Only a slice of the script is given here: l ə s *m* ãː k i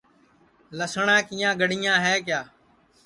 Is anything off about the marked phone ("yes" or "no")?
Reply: yes